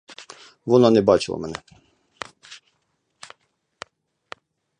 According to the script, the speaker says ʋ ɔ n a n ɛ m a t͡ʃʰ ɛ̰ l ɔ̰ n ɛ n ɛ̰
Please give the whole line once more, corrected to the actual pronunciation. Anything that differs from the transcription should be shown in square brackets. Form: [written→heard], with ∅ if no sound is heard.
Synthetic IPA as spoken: [ʋ→v] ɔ n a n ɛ [m→b] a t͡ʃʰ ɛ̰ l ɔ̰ [n→m] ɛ n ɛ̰